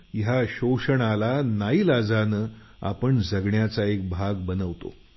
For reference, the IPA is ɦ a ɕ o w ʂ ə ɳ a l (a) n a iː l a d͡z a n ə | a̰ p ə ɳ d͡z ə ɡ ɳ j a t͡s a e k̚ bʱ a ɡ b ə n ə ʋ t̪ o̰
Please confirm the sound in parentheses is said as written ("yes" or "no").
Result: yes